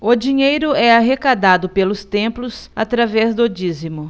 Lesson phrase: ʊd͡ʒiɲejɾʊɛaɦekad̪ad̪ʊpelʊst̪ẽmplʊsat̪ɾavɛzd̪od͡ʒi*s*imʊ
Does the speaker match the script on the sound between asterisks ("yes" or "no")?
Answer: no